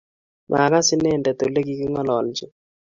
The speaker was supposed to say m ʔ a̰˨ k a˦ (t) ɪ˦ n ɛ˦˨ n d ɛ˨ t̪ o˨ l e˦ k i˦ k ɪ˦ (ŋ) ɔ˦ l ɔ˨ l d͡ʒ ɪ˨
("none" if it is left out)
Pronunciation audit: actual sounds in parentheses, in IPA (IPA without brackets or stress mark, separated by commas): s, ŋ